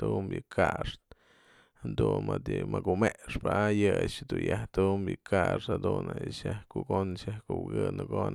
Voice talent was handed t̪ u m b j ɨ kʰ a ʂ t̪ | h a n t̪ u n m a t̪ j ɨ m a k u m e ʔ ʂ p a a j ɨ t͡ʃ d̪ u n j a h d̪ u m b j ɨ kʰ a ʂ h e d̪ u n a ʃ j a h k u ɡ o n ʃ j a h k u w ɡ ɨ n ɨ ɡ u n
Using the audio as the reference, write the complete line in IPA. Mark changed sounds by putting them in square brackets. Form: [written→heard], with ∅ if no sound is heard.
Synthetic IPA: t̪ u m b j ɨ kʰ a ʂ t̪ | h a n [t̪→d̪] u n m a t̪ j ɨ m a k u m e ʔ ʂ p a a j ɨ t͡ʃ d̪ u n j a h [d̪→t̪] u m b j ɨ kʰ a ʂ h [e→a] d̪ u n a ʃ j a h k u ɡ o n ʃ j a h k u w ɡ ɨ n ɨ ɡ [u→o] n